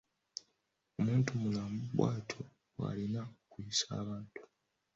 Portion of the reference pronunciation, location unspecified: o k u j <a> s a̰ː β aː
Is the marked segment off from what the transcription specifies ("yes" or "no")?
yes